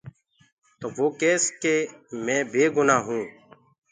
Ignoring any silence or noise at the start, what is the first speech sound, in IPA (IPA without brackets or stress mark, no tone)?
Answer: t̪